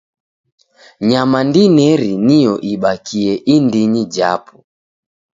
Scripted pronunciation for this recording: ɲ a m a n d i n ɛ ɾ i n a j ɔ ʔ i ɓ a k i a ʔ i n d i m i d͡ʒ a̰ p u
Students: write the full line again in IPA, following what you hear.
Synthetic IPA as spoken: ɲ a m a n d i n ɛ ɾ i n i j ɔ ʔ i ɓ a k i ɛ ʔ i n d i ɲ i d͡ʒ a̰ p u

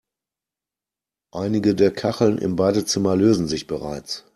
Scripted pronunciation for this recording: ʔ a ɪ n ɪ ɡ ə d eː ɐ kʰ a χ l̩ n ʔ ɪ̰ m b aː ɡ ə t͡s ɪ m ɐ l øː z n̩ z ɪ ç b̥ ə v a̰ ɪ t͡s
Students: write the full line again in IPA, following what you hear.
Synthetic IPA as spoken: ʔ a ɪ n ɪ ɡ ə d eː ɐ kʰ a χ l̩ n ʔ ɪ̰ m b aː d ə t͡s ɪ m ɐ l øː z n̩ z ɪ ç b̥ ə ʁ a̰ ɪ t͡s

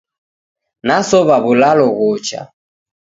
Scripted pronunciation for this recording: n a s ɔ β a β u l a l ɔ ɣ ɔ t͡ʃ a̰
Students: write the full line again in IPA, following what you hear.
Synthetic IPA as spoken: n a s ɔ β a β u l a l ɔ ɣ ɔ t͡ʃ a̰

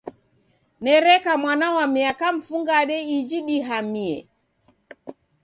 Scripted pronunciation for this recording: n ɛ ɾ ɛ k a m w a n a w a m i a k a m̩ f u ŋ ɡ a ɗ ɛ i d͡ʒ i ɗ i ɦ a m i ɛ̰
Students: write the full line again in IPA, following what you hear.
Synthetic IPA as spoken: n ɛ ɾ ɛ k a m w a n a w a m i a k a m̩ f u ŋ ɡ a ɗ ɛ i d͡ʒ i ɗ i ɦ a m i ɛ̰

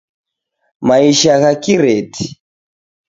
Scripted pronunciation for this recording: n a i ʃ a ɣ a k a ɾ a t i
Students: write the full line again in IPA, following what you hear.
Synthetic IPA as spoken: m a i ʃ a ɣ a k i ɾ ɛ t i

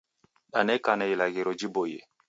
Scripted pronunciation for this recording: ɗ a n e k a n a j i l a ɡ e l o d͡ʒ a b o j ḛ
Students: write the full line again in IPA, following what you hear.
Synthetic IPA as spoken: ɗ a n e k a n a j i l a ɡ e ɾ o d͡ʒ i b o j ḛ

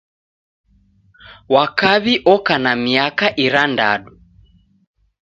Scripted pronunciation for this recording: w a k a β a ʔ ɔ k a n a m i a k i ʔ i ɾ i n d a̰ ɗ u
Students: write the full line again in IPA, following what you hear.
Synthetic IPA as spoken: w a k a β i ʔ ɔ k a n a m i a k a ʔ i ɾ a n d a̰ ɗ u

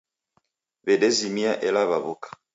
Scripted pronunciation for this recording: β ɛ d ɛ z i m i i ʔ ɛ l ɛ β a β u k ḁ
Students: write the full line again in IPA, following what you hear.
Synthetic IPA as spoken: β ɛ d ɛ z i m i a ʔ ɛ l a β a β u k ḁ

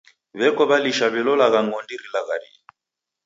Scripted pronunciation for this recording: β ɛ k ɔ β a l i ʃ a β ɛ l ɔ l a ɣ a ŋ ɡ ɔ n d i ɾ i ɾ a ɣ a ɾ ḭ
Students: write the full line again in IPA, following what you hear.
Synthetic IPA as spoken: β ɛ k ɔ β a l i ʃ a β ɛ l ɔ l a ɣ a ŋ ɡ ɔ n d i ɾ i l a ɣ a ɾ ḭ

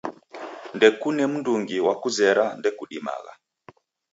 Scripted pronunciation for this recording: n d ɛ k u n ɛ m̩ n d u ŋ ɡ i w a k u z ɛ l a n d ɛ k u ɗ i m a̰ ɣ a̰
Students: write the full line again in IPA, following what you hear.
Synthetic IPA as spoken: n d ɛ k u n ɛ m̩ n d u ŋ ɡ i w a k u z ɛ ɾ a n d ɛ k u ɗ i m a̰ ɣ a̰

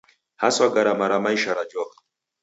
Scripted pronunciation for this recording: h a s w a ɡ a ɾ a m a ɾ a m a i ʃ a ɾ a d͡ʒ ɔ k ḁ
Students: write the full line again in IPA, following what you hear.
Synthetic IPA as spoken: h a s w a ɡ a ɾ a m a ɾ a m a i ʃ a ɾ a d͡ʒ ɔ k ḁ

